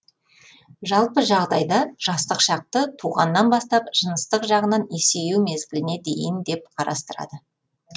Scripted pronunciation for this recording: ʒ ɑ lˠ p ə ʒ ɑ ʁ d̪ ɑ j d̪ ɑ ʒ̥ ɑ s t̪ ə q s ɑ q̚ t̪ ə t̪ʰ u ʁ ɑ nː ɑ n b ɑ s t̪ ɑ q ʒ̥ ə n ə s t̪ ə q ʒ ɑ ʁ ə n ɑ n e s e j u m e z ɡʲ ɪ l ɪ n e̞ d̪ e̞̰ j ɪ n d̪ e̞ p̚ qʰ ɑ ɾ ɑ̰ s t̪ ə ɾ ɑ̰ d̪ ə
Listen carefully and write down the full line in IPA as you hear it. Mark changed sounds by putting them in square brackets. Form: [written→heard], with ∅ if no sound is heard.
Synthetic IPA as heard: ʒ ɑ lˠ p ə ʒ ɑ ʁ d̪ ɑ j d̪ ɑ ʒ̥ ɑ s t̪ ə q [s→ʃ] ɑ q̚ t̪ ə t̪ʰ u ʁ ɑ nː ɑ n b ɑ s t̪ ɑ [q→p] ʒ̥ ə n ə s t̪ ə q ʒ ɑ ʁ ə n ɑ n e s e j u m e z ɡʲ ɪ l ɪ n e̞ d̪ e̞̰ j ɪ n d̪ e̞ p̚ qʰ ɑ ɾ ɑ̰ s t̪ ə ɾ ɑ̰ d̪ ə

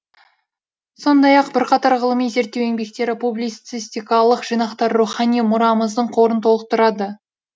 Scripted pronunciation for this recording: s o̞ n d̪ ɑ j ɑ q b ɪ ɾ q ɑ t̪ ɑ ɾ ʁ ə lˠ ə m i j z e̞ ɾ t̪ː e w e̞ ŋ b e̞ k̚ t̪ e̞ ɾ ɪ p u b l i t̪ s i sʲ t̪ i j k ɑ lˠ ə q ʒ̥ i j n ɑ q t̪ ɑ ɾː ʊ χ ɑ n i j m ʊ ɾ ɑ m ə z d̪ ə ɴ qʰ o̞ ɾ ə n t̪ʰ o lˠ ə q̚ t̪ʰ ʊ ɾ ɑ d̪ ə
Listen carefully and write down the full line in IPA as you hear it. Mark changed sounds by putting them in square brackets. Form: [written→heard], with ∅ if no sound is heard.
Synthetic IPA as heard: s o̞ n d̪ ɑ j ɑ q b ɪ ɾ q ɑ t̪ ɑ ɾ ʁ ə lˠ ə m i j z e̞ ɾ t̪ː e w e̞ ŋ b e̞ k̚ t̪ e̞ ɾ ɪ p u b l i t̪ s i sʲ t̪ i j k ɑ lˠ ə q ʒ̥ i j n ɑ q t̪ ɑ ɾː [ʊ→u] χ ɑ n i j m ʊ ɾ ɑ m ə z d̪ ə ɴ qʰ o̞ ɾ ə n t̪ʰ o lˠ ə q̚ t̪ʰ ʊ ɾ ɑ d̪ ə

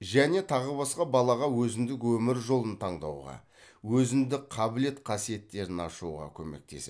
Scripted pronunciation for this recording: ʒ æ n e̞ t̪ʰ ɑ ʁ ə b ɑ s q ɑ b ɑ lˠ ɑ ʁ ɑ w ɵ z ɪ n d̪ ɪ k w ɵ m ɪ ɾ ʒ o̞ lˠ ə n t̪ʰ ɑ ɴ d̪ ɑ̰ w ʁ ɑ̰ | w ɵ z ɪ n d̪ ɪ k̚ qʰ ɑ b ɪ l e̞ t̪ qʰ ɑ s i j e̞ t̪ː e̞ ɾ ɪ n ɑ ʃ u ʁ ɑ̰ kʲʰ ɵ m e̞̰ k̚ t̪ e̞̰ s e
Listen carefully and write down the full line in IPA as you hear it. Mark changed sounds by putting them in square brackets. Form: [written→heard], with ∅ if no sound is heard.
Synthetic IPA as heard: ʒ æ n e̞ t̪ʰ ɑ ʁ ə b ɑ s q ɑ b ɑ lˠ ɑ ʁ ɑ w ɵ z ɪ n d̪ ɪ k w ɵ m ɪ ɾ ʒ o̞ lˠ ə n t̪ʰ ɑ ɴ d̪ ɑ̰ w ʁ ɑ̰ | w ɵ z ɪ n d̪ ɪ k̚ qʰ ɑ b ɪ l e̞ t̪ qʰ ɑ s i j e̞ t̪ː e̞ ɾ ɪ n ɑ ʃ u ʁ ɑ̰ kʲʰ ɵ m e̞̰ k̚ t̪ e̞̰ s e

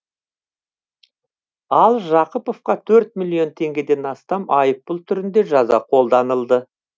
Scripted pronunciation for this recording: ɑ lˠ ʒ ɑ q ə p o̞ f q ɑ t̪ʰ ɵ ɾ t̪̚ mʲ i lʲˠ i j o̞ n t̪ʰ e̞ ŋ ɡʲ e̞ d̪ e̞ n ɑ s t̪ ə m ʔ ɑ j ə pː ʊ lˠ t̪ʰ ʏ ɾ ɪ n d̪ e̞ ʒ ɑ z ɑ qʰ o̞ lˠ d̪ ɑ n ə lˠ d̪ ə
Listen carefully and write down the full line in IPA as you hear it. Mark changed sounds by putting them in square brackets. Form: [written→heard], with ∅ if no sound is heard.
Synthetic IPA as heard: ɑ lˠ ʒ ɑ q ə p o̞ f q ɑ t̪ʰ ɵ ɾ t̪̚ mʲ i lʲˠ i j o̞ n t̪ʰ e̞ ŋ ɡʲ e̞ d̪ e̞ n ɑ s t̪ [ə→ɑ] m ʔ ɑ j ə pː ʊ lˠ t̪ʰ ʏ ɾ ɪ n d̪ e̞ ʒ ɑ z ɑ qʰ o̞ lˠ d̪ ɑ n ə lˠ d̪ ə

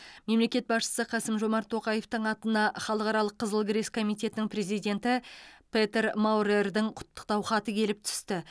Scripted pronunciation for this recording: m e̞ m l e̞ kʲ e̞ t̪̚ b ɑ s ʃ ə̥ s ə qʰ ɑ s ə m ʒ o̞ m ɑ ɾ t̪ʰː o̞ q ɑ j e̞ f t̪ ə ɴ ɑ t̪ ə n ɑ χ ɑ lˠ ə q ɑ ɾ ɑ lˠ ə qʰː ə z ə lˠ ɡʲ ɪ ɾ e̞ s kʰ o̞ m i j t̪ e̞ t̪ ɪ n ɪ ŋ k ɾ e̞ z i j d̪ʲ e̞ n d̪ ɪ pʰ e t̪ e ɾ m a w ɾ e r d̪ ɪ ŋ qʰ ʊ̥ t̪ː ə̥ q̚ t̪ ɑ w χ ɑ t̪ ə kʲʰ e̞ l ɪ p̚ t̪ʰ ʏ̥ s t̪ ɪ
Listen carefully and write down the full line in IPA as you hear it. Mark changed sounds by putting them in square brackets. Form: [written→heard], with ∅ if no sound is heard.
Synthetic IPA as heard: m e̞ m l e̞ kʲ e̞ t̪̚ b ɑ s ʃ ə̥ s ə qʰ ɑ s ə m ʒ o̞ m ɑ ɾ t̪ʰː o̞ q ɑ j e̞ f t̪ ə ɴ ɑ t̪ ə n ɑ χ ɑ lˠ ə q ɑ ɾ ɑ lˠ ə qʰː ə z ə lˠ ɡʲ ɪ ɾ e̞ s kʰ o̞ m i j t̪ e̞ t̪ ɪ n ɪ ŋ [k→p] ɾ e̞ z i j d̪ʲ e̞ n [d̪→t̪] ɪ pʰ e t̪ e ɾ m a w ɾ e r d̪ ɪ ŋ qʰ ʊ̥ t̪ː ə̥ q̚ t̪ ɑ w χ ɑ t̪ ə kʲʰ e̞ l ɪ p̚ t̪ʰ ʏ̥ s t̪ ɪ

